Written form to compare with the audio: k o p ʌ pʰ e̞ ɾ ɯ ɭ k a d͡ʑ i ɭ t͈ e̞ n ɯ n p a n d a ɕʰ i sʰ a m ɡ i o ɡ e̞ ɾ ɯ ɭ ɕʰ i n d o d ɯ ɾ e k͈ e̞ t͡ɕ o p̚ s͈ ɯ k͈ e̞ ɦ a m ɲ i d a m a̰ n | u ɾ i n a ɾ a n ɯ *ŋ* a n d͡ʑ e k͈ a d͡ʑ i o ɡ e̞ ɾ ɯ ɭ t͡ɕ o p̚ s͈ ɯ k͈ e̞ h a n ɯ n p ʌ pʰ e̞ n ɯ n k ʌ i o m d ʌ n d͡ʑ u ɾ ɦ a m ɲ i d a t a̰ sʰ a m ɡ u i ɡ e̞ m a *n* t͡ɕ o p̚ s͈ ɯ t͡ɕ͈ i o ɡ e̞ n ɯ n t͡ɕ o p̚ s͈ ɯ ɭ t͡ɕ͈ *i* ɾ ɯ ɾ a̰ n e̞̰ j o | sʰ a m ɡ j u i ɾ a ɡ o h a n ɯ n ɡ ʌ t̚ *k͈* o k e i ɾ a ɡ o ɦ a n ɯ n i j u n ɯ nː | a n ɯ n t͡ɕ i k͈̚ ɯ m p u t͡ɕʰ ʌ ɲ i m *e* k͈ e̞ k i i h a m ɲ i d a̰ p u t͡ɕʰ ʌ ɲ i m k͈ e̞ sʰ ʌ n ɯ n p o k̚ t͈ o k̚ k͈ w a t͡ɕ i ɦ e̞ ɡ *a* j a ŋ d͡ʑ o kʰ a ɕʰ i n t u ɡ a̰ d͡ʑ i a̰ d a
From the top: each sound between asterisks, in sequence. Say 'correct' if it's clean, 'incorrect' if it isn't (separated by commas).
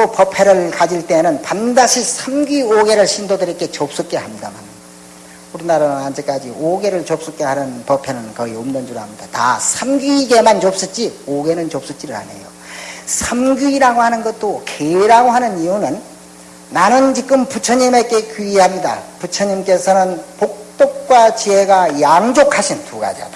incorrect, correct, correct, incorrect, correct, correct